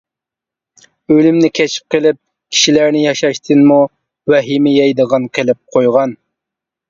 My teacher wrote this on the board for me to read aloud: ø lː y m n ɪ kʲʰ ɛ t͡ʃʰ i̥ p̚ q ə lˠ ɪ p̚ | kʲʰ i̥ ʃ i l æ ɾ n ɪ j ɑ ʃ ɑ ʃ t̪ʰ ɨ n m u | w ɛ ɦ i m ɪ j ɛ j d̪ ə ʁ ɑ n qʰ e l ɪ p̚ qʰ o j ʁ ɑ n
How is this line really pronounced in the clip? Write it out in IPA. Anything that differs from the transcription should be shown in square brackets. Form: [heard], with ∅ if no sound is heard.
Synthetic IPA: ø [l] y m n ɪ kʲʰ ɛ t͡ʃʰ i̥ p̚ q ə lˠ ɪ p̚ | kʲʰ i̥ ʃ i l æ ɾ n ɪ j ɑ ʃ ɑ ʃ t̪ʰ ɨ n m u | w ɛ ɦ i m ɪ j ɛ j d̪ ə ʁ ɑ n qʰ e l ɪ p̚ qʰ o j ʁ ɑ n